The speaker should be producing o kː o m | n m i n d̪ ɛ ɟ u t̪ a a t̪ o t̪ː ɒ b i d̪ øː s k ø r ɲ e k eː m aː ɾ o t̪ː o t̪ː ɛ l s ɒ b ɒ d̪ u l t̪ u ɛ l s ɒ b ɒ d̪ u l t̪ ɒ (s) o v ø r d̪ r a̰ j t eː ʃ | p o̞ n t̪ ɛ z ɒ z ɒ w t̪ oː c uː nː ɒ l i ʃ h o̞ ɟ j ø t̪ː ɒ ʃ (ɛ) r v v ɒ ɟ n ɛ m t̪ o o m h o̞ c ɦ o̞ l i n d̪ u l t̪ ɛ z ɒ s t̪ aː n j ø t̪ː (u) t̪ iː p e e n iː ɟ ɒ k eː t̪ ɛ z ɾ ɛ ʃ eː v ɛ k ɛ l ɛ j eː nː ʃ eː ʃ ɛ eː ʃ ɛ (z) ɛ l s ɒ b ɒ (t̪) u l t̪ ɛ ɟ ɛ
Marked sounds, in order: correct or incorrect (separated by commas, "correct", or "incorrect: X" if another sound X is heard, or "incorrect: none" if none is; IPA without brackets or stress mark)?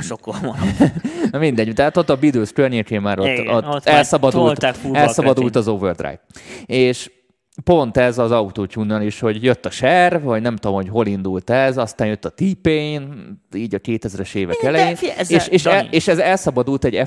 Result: incorrect: z, correct, incorrect: ɒ, correct, incorrect: d̪